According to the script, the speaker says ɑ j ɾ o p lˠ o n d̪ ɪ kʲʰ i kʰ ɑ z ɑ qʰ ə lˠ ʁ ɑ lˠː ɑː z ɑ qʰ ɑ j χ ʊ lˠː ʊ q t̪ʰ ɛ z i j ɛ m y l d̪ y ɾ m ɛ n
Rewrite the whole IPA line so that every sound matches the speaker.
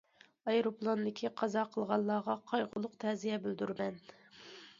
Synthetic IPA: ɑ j ɾ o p lˠ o n d̪ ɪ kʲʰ i qʰ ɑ z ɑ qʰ ə lˠ ʁ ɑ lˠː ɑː ʁ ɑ qʰ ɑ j ʁ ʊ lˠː ʊ q t̪ʰ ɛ z i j ɛ b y l d̪ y ɾ m ɛ n